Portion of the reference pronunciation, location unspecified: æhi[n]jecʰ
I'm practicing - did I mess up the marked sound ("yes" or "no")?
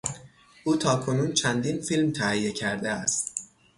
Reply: yes